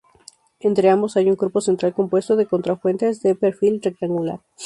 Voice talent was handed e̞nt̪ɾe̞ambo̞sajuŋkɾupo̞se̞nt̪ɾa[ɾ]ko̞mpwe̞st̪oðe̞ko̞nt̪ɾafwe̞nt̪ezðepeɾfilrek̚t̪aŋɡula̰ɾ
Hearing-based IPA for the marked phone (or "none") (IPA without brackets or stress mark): l